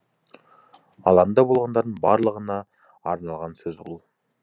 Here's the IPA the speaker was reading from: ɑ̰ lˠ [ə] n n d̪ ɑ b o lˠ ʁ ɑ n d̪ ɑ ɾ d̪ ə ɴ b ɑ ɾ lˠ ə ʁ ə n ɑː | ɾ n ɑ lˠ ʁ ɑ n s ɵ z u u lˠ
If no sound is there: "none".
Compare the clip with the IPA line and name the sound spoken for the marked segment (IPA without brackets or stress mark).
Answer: ɑ